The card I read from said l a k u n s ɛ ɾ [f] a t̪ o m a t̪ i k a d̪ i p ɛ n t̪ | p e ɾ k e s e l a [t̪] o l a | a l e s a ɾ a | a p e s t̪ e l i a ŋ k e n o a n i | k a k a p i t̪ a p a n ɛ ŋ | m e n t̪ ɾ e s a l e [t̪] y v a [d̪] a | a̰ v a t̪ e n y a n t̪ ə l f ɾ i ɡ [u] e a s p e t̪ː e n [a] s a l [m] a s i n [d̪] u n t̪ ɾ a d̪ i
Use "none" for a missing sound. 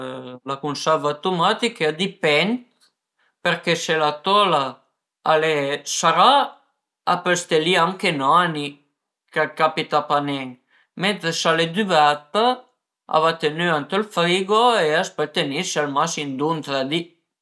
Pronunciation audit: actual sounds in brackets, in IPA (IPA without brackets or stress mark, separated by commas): v, t̪, d̪, t̪, o, i, m, d̪